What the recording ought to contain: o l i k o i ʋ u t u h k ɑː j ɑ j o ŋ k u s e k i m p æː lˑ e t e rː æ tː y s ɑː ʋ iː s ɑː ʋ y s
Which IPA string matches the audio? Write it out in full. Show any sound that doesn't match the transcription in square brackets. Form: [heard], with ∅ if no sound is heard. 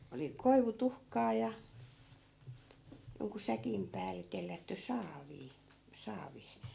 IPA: o l i k o i ʋ u t u h k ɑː j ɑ j o ŋ k u s [æ] k i m p æː lˑ e t e [lː] æ tː y s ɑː ʋ iː s ɑː ʋ [i] s